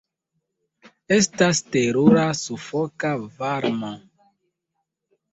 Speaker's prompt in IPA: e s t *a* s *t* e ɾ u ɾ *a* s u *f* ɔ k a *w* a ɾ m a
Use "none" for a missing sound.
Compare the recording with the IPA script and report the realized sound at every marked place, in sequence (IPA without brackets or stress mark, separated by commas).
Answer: a, t, a, f, v